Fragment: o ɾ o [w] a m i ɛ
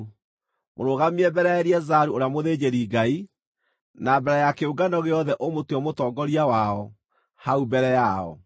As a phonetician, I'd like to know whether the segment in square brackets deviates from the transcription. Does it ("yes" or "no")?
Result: yes